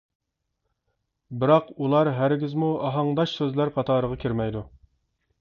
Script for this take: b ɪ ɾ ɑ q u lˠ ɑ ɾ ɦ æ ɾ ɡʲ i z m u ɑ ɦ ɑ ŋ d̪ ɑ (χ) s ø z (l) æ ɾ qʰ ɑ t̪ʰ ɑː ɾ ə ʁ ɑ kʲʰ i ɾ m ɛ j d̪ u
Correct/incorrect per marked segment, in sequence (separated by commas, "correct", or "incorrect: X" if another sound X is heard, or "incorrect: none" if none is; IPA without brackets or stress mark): incorrect: ʃ, correct